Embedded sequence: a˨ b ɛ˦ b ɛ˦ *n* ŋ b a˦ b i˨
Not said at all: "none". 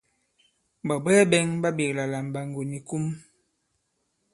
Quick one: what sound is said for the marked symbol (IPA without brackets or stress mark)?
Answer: none